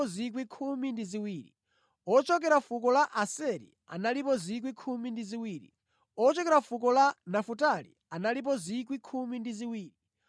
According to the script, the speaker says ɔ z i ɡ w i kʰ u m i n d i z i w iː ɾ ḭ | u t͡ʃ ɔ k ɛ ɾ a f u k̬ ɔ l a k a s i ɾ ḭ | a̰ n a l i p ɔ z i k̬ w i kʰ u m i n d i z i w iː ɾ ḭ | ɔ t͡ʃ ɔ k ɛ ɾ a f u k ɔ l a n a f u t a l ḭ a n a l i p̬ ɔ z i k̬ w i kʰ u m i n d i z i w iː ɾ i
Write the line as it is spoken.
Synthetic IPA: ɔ z i k w i kʰ u m i n d i z i w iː ɾ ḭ | ɔ t͡ʃ ɔ k ɛ ɾ a f u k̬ ɔ l a ʔ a s ɛ ɾ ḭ | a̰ n a l i p ɔ z i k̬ w i kʰ u m i n d i z i w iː ɾ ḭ | ɔ t͡ʃ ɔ k ɛ ɾ a f u k ɔ l a n a f u t a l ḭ a n a l i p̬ ɔ z i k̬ w i kʰ u m i n d i z i w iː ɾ i

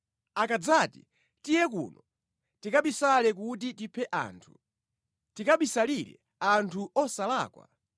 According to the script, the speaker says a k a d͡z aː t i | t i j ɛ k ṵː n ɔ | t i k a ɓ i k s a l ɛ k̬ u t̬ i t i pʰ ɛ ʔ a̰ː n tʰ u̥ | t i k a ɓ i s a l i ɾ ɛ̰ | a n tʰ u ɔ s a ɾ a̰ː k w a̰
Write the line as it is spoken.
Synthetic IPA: a k a d͡z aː t i | t i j ɛ k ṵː n ɔ | t i k a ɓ i s a l ɛ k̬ u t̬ i t i pʰ ɛ ʔ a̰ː n tʰ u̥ | t i k a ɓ i s a l i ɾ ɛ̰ | a n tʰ u ɔ s a l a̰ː k w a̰

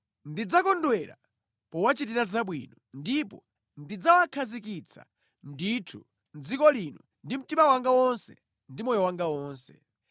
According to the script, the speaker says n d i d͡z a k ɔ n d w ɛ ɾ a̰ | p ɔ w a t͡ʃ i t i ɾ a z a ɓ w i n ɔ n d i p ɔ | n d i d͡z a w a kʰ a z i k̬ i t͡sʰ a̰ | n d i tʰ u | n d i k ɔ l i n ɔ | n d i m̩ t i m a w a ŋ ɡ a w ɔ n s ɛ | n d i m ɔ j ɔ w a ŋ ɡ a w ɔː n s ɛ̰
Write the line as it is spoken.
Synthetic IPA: n d i d͡z a k ɔ n d w ɛ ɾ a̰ | p ɔ w a t͡ʃ i t i ɾ a z a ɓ w i n ɔ n d i p ɔ | n d i d͡z a w a kʰ a z i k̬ i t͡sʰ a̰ | n d i tʰ u | n d͡z i k ɔ l i n ɔ | n d i m̩ t i m a w a ŋ ɡ a w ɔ n s ɛ | n d i m ɔ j ɔ w a ŋ ɡ a w ɔː n s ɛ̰

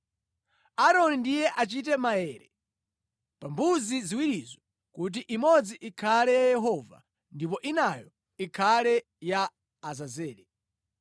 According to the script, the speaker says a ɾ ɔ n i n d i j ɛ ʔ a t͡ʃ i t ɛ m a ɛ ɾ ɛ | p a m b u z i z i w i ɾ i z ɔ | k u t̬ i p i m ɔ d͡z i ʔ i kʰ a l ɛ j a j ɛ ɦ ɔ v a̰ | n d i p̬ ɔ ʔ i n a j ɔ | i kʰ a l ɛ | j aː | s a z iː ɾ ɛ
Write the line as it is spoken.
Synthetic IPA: a ɾ ɔ n i n d i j ɛ ʔ a t͡ʃ i t ɛ m a ɛ ɾ ɛ | p a m b u z i z i w i ɾ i z ɔ | k u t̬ i ʔ i m ɔ d͡z i ʔ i kʰ a l ɛ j a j ɛ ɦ ɔ v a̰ | n d i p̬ ɔ ʔ i n a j ɔ | i kʰ a l ɛ | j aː | z a z ɛː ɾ ɛ

